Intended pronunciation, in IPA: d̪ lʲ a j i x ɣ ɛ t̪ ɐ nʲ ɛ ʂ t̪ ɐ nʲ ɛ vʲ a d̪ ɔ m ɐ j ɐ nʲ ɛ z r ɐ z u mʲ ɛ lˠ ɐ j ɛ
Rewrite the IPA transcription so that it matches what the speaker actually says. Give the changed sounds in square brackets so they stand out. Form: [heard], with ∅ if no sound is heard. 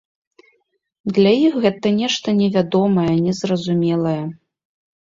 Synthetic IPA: d̪ lʲ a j i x ɣ ɛ t̪ ɐ nʲ ɛ ʂ t̪ ɐ nʲ ɛ vʲ a d̪ ɔ m ɐ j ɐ nʲ ɛ z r ɐ z u mʲ ɛ lˠ ɐ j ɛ